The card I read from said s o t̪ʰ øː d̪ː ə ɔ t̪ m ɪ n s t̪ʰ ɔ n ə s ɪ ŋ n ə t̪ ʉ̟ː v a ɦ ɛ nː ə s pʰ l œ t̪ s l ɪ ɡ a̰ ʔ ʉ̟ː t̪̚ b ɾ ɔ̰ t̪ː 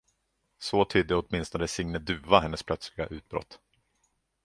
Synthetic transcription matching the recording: s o t̪ʰ yː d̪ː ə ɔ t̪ m ɪ n s t̪ ɔ n ə s ɪ ŋ n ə d̪ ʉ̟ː v a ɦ ɛ nː ə s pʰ l œ t̪ s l ɪ ɡ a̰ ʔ ʉ̟ː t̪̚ b ɾ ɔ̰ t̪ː